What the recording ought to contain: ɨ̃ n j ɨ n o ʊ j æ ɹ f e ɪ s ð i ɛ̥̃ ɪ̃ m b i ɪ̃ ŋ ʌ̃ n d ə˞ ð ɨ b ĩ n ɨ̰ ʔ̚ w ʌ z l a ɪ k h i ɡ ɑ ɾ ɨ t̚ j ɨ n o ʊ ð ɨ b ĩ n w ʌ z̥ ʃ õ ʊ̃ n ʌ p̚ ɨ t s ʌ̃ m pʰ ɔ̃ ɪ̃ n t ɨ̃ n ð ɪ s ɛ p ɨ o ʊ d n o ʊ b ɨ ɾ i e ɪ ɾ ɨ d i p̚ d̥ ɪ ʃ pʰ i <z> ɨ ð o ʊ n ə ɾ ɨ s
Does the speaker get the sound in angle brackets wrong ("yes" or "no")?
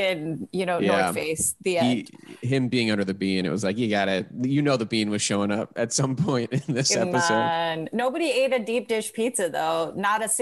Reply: yes